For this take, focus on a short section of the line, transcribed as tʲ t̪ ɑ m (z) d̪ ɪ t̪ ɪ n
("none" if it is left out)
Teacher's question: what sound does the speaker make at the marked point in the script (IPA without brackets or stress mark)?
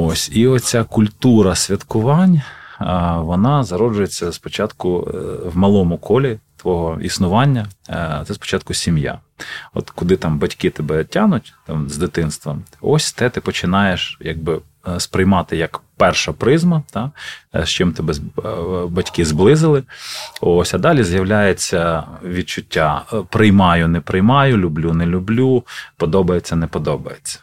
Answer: z